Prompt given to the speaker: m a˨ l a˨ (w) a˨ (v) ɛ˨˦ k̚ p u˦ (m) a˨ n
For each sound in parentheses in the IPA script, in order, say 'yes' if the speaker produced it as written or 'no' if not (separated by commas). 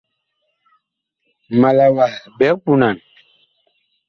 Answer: yes, no, no